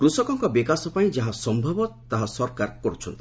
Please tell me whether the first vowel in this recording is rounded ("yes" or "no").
yes